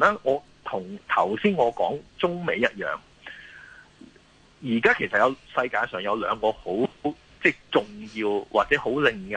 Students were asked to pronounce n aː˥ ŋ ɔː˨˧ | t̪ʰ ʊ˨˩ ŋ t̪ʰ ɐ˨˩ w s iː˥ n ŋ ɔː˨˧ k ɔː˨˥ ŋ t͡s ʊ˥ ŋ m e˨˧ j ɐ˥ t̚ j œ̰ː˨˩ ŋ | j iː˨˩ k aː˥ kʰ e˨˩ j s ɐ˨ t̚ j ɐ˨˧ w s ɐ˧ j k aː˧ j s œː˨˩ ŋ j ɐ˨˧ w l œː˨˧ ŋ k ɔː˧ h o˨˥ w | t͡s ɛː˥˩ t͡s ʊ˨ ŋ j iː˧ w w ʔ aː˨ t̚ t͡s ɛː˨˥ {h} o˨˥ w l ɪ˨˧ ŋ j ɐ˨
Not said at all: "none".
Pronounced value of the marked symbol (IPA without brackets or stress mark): h